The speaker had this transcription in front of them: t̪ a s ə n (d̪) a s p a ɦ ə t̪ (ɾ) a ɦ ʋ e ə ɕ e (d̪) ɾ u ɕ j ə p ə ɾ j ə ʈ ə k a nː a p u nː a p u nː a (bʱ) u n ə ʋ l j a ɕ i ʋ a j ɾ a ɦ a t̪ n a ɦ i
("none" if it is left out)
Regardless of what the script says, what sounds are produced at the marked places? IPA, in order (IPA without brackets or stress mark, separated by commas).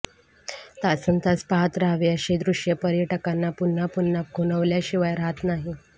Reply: t̪, ɾ, d̪, ɡʱ